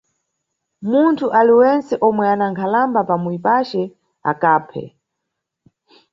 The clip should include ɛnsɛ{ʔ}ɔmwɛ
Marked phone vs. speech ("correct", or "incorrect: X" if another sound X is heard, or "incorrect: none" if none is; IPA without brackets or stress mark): correct